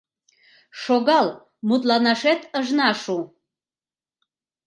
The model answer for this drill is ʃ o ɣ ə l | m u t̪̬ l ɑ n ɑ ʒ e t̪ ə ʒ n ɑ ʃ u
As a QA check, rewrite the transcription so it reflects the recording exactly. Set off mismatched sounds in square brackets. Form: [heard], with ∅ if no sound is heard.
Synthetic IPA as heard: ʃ o ɣ [ɑ] l | m u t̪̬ l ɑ n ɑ [ʃ] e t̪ ə ʒ n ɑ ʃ u